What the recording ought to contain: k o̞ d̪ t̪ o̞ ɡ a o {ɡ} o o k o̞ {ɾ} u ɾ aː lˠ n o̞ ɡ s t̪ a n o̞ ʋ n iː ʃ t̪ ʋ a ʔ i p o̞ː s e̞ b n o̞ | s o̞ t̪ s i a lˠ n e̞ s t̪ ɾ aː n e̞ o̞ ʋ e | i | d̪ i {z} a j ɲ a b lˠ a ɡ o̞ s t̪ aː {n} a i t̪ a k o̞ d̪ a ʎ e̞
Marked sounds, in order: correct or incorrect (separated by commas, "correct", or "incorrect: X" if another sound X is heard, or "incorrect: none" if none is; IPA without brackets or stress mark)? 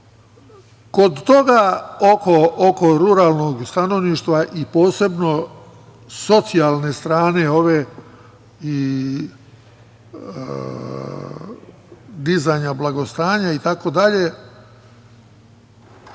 incorrect: k, correct, correct, incorrect: ɲ